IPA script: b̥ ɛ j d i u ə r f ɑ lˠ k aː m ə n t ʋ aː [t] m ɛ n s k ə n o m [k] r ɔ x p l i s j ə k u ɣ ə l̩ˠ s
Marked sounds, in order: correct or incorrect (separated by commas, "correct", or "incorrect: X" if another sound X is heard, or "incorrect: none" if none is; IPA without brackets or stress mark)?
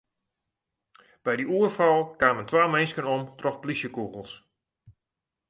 incorrect: none, incorrect: t